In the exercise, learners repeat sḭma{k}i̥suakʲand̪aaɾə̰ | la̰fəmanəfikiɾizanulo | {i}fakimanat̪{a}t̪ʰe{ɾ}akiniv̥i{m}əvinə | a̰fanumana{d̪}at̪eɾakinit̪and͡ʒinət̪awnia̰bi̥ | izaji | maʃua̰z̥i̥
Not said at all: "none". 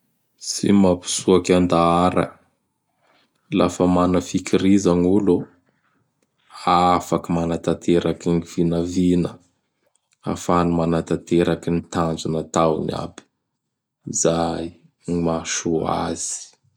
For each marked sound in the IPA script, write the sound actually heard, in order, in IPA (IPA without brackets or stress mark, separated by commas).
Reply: p, a, a, ɾ, n, t̪